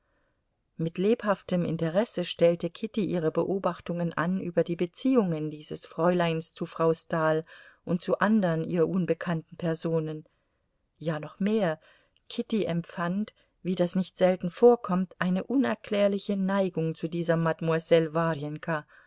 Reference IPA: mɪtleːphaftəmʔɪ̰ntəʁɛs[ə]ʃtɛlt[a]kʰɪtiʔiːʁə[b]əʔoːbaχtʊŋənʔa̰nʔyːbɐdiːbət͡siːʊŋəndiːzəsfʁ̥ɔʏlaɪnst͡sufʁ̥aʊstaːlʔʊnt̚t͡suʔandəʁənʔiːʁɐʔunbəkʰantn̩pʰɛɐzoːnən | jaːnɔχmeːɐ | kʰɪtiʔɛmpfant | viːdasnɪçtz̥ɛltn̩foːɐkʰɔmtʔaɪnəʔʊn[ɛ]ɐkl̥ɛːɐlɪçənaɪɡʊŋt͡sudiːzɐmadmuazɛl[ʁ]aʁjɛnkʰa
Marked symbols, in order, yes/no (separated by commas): yes, no, yes, yes, no